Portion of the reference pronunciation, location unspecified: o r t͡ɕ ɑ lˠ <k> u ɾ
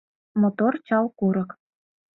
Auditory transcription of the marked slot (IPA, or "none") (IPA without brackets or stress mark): k